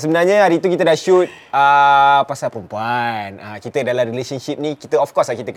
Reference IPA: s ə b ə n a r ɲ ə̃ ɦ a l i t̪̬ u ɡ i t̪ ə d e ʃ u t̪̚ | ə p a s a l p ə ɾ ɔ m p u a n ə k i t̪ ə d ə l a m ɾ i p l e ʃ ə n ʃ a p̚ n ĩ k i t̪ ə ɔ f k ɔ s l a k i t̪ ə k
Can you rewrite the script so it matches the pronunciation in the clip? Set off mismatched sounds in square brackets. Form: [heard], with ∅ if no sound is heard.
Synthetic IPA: s ə b ə n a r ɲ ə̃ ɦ a [ɾ] i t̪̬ u [k] i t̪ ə d [a] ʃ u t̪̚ | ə p a s a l p ə ɾ [u] m p u a n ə k i t̪ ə d [a] l a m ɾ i [∅] l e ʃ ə n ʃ [i] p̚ n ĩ k i t̪ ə ɔ f k ɔ s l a k i t̪ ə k